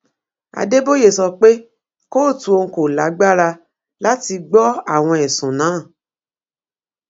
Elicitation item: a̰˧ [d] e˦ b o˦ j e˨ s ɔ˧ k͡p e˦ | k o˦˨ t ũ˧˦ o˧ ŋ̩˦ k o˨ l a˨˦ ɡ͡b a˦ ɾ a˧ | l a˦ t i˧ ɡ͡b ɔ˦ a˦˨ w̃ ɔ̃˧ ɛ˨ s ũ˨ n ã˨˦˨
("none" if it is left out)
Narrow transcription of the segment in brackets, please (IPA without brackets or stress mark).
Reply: d